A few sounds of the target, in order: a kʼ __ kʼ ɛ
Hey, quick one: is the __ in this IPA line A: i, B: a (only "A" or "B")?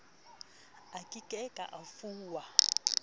A